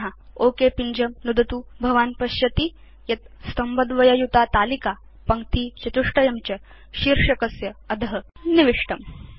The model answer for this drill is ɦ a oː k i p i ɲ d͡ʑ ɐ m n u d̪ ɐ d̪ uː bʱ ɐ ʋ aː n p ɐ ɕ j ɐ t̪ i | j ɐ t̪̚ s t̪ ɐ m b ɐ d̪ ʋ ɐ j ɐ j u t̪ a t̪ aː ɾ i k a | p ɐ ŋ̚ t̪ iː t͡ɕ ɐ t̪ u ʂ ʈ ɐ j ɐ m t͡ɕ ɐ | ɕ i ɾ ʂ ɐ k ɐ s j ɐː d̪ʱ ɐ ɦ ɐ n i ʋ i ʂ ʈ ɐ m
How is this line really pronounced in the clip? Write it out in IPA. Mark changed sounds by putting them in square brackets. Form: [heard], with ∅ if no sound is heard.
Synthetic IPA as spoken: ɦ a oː k [e] p i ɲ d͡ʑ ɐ m n u d̪ ɐ [t̪] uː bʱ ɐ ʋ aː n p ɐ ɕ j ɐ t̪ i | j ɐ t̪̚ s t̪ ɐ m b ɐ d̪ ʋ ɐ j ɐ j u t̪ a t̪ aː [l] i k a | p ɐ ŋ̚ t̪ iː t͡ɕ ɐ t̪ u ʂ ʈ ɐ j ɐ m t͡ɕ ɐ | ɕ i ɾ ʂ ɐ k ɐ s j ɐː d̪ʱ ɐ ɦ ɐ n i ʋ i ʂ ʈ ɐ m